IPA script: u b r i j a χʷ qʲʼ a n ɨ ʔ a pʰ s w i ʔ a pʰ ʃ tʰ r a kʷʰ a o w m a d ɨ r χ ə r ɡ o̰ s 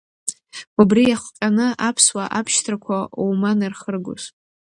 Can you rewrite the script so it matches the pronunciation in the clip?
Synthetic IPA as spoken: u b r i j a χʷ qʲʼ a n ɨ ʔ a pʰ s w a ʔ a pʰ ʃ tʰ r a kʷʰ a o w m a n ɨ r χ ə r ɡ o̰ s